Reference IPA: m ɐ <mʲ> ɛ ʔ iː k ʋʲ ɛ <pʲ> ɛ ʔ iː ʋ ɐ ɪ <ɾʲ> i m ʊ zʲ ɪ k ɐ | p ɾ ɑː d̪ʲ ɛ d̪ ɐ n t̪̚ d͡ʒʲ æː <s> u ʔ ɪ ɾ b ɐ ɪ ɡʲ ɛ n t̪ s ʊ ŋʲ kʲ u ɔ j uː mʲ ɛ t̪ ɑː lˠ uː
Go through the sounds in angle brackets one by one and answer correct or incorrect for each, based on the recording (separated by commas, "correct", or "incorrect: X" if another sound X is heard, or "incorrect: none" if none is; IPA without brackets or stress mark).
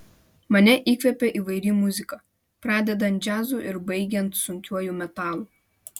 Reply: incorrect: nʲ, correct, correct, incorrect: z